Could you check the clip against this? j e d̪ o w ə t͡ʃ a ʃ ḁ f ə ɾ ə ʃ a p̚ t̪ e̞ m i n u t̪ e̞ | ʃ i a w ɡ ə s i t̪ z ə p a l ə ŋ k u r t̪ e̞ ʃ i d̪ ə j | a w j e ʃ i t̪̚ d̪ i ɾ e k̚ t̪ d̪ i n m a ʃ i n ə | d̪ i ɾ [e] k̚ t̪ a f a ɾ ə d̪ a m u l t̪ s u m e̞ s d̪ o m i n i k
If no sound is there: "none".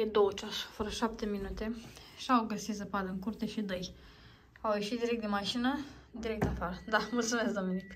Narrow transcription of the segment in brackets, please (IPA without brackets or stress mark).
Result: e